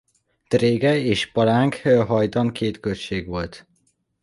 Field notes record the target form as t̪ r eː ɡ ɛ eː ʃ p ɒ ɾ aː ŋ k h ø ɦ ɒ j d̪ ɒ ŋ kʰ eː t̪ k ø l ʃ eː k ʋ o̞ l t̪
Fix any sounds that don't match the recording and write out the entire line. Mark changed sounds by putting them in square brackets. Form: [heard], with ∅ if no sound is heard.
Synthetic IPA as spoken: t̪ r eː ɡ ɛ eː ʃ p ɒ ɾ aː ŋ k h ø ɦ ɒ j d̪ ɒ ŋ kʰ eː t̪ k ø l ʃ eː [ɡ] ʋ o̞ l t̪